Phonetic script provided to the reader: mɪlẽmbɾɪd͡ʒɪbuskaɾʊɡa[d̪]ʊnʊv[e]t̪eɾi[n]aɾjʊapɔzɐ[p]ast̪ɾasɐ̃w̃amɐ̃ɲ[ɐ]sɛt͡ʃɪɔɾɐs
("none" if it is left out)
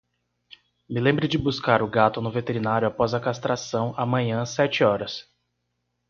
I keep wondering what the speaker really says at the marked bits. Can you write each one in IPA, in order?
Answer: t̪, e, n, k, ɐ̃

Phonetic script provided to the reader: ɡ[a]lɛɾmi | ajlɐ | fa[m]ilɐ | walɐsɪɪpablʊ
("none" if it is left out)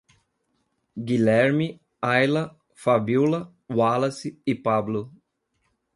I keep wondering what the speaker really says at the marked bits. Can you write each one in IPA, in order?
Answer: i, b

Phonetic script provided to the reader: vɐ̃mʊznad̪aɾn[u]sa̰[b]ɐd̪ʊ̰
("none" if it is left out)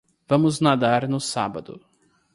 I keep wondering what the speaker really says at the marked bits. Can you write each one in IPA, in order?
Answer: ʊ, b

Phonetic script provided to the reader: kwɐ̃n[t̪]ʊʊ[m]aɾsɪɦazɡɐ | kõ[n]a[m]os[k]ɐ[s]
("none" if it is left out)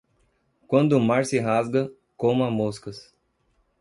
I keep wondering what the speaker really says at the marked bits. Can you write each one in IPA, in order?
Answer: d̪, m, m, m, k, s

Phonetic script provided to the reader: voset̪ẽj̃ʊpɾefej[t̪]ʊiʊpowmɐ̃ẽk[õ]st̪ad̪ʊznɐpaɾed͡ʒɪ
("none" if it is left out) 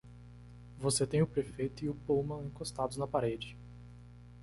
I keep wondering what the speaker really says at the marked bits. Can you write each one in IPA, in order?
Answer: t̪, o

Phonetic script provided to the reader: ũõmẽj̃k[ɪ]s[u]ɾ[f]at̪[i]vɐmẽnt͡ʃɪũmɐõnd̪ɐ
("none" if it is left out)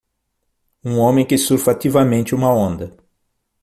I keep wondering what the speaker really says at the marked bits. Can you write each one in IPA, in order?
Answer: ɪ, u, f, i

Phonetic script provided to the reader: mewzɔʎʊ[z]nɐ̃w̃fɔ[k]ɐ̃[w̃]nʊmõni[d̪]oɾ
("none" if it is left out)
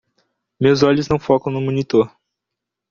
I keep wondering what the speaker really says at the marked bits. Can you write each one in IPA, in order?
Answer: z, k, w̃, t̪

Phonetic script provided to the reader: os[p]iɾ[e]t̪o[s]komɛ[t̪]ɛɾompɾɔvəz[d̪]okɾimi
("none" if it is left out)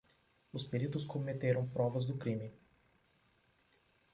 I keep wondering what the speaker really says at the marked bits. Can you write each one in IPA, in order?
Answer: p, i, s, t̪, d̪

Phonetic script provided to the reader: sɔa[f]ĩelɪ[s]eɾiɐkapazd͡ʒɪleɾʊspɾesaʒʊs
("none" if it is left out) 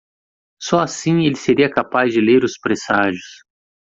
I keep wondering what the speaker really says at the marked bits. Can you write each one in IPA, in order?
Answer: s, s

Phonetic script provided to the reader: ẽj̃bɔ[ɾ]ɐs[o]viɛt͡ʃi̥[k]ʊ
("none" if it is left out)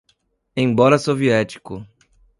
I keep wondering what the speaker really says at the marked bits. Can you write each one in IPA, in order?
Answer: ɾ, o, k

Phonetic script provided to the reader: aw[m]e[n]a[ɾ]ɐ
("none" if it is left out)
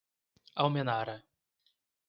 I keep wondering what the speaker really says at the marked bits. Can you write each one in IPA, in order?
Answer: m, n, ɾ

